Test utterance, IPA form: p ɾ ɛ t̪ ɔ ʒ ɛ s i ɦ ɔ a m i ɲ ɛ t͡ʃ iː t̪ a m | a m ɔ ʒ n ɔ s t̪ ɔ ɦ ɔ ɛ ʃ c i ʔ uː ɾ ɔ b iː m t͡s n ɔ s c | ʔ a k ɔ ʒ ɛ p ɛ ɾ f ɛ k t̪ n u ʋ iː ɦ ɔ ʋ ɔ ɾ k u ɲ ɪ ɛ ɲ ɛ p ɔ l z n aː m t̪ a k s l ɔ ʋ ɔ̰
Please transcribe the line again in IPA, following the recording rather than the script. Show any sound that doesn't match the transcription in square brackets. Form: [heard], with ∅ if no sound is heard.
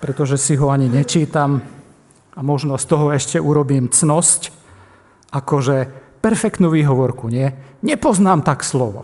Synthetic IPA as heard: p ɾ ɛ t̪ ɔ ʒ ɛ s i ɦ ɔ a [ɲ] i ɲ ɛ t͡ʃ iː t̪ a m | a m ɔ ʒ n ɔ s t̪ ɔ ɦ ɔ ɛ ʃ c [ɛ] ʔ [u] ɾ ɔ b iː m t͡s n ɔ s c | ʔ a k ɔ ʒ ɛ p ɛ ɾ f ɛ k t̪ n u ʋ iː ɦ ɔ ʋ ɔ ɾ k u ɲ ɪ ɛ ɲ ɛ p ɔ [∅] z n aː m t̪ a k s l ɔ ʋ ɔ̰